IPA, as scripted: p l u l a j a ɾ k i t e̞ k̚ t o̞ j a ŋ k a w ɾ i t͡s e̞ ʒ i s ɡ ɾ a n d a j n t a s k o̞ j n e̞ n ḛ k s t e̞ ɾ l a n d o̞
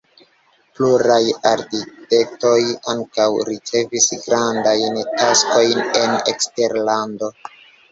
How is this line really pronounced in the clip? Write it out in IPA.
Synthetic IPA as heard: p l u ɾ a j a ɾ k i t e̞ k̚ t o̞ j a ŋ k a w ɾ i t͡s e̞ v i s ɡ ɾ a n d a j n t a s k o̞ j n e̞ n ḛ k s t e̞ ɾ l a n d o̞